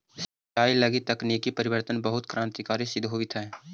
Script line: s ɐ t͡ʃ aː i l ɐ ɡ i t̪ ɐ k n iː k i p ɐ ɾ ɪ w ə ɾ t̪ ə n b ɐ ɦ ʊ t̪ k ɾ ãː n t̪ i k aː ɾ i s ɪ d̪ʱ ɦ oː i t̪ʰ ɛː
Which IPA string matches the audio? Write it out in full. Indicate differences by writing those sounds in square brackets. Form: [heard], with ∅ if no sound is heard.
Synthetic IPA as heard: s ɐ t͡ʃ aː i l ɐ ɡ i t̪ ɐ k n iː k i p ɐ ɾ ɪ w ə ɾ t̪ ə n b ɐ ɦ ʊ t̪ k ɾ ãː n t̪ i k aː ɾ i s ɪ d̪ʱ ɦ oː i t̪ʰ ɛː